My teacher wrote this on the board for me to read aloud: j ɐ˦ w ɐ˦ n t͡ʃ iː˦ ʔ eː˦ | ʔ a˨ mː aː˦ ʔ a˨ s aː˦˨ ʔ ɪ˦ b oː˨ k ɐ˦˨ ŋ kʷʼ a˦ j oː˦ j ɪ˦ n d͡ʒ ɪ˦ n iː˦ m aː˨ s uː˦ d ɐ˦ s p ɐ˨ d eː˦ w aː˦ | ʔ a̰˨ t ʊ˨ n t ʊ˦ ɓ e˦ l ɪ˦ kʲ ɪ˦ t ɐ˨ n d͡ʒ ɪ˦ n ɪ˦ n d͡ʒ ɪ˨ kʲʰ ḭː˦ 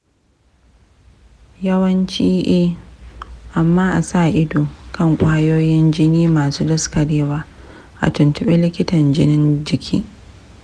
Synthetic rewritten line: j ɐ˦ w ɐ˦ n t͡ʃ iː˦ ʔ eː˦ | ʔ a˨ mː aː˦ ʔ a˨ s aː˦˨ ʔ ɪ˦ d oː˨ k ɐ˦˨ ŋ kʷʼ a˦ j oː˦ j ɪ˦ n d͡ʒ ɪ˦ n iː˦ m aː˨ s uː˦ d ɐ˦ s k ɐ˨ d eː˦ w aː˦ | ʔ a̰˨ t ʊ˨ n t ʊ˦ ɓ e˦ l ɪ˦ kʲ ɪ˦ t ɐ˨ n d͡ʒ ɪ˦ n ɪ˦ n d͡ʒ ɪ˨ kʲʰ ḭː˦